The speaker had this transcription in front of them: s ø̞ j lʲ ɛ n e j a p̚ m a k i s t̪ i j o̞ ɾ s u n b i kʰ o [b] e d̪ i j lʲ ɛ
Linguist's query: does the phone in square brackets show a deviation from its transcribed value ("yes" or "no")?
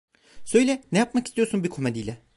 yes